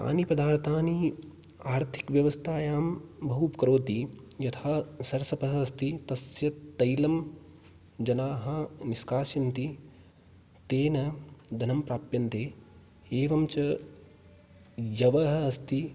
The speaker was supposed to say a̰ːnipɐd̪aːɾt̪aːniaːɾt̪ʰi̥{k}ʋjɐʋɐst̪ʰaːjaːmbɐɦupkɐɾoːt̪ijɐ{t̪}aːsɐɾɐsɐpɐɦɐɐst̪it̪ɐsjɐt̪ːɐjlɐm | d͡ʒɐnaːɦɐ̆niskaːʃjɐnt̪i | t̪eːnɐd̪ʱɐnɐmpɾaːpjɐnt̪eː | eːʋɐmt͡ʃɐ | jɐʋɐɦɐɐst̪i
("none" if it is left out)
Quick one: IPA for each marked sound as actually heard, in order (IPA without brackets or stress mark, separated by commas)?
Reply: k, t̪ʰ